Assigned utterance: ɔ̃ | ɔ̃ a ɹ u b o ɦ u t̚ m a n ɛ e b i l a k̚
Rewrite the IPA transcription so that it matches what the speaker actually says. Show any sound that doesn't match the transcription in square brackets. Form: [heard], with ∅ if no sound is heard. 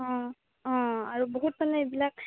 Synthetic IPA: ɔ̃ | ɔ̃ a ɹ u b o ɦ u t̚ m a n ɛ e b i l a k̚